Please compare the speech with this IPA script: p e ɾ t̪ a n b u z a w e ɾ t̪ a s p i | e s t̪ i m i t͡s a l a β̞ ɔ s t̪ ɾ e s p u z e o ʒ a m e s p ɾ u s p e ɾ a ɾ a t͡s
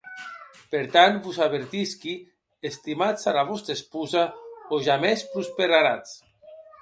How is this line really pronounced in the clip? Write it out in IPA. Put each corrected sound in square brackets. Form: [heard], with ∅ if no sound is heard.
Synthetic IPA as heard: p e ɾ t̪ a n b u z a [β] e ɾ t̪ [i] s [k] i | e s t̪ i m [a] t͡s a l a β̞ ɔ s t̪ ɾ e s p u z [a] o ʒ a m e s p ɾ u s p e ɾ a ɾ a t͡s